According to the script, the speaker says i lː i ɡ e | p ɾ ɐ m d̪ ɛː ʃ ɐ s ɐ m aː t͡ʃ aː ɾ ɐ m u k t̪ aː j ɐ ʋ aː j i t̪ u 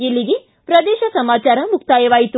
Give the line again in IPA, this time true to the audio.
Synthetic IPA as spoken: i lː i ɡ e | p ɾ ɐ d̪ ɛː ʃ ɐ s ɐ m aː t͡ʃ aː ɾ ɐ m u k t̪ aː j ɐ ʋ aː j i t̪ u